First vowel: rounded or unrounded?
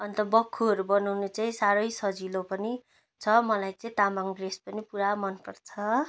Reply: unrounded